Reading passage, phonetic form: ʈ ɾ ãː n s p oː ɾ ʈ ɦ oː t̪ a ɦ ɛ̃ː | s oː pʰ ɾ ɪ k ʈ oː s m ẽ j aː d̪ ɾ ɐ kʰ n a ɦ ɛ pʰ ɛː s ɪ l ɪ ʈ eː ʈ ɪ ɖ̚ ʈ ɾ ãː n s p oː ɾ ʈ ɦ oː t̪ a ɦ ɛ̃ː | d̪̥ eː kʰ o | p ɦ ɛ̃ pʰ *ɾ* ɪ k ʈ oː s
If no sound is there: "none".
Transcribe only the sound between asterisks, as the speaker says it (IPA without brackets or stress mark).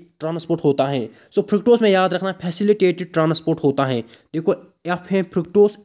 ɾ